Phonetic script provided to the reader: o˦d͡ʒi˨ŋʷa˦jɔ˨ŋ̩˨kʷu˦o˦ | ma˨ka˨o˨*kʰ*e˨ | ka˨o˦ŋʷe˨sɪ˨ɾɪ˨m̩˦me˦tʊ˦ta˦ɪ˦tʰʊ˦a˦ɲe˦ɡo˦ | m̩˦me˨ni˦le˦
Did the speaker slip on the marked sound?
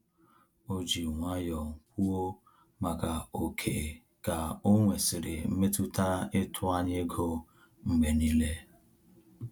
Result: no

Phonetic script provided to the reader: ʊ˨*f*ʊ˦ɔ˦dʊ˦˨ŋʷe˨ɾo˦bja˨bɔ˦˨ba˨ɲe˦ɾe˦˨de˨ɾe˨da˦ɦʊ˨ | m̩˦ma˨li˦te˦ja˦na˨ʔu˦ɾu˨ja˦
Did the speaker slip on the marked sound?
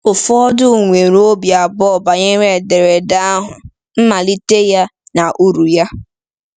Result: no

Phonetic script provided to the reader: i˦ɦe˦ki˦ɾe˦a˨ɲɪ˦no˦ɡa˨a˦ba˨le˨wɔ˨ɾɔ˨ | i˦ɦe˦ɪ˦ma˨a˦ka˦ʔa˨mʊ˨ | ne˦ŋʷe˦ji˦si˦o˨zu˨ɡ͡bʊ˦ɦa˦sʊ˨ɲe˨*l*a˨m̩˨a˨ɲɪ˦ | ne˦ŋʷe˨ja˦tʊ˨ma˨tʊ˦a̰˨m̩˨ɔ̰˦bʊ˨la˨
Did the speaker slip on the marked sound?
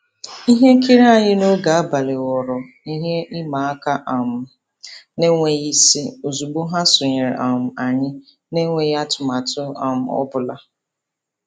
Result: yes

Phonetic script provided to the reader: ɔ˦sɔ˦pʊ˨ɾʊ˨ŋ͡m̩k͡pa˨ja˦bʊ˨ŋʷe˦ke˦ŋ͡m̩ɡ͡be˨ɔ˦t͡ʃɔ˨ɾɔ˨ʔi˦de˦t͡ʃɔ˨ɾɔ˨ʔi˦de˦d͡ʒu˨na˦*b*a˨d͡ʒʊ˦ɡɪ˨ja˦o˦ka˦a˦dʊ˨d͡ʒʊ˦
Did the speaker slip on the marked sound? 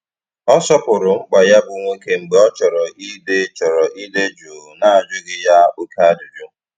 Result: yes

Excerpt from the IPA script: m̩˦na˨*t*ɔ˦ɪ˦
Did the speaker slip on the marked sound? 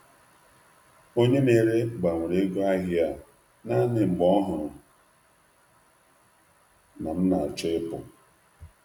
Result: yes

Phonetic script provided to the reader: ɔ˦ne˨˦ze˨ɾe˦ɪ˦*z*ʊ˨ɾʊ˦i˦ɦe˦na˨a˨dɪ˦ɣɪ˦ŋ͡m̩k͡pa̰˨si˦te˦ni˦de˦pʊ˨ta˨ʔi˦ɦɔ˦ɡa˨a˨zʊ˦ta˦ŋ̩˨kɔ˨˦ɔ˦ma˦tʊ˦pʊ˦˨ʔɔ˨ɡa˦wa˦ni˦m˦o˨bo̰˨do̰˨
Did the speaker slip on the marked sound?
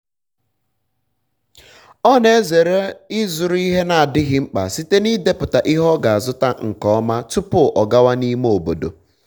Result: no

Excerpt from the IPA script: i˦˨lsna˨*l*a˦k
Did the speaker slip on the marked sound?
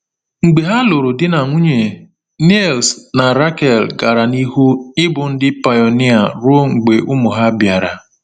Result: yes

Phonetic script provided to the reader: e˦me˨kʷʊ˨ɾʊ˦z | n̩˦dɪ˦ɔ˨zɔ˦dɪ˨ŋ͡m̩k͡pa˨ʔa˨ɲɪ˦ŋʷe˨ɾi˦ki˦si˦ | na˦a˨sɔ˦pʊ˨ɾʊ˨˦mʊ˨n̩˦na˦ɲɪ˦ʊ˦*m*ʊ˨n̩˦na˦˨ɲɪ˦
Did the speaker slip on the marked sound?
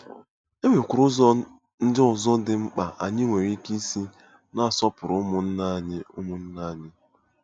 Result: no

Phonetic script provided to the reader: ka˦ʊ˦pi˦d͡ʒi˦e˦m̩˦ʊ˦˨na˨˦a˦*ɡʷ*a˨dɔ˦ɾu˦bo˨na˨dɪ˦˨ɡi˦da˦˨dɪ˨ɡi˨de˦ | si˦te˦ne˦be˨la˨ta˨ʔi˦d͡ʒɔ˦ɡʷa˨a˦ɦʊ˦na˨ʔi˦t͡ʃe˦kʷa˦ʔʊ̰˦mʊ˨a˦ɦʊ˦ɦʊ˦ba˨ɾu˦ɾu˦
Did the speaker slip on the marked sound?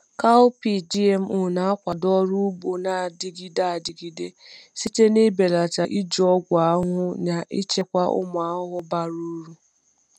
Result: yes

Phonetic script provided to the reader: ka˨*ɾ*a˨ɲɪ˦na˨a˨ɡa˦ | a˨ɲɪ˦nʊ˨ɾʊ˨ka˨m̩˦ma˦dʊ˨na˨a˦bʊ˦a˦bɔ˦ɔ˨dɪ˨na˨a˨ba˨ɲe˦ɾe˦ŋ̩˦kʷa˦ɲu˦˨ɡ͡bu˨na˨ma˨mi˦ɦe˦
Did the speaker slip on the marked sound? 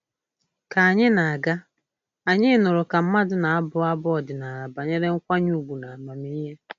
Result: yes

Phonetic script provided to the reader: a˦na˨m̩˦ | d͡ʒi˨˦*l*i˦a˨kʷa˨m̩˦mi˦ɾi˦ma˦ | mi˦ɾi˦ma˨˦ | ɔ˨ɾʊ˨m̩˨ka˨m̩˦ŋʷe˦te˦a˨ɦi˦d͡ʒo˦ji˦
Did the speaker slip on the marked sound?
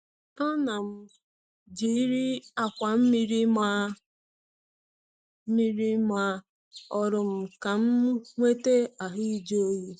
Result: yes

